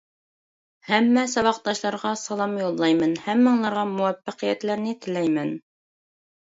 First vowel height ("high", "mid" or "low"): low